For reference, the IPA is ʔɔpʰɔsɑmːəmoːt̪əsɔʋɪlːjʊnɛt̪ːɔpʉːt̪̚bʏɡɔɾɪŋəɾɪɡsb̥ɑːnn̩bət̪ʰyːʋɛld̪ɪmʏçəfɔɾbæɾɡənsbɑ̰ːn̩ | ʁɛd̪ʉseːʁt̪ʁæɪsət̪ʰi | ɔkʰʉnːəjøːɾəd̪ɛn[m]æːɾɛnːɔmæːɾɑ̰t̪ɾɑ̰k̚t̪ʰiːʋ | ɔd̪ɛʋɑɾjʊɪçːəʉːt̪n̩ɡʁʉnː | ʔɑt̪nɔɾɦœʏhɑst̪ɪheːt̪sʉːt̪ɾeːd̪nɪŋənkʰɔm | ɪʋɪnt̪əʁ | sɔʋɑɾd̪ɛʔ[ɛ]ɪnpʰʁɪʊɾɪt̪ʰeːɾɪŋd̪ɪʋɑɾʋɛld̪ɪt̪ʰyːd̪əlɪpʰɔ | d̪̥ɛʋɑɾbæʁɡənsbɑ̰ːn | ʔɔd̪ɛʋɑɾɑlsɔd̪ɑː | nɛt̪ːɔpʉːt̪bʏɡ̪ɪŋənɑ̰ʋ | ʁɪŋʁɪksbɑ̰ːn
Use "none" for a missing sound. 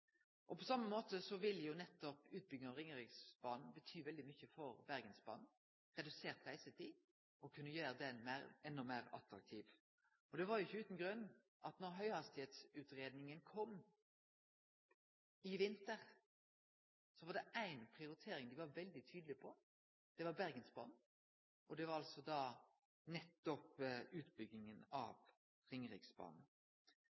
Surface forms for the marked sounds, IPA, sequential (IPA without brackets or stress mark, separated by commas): m, æ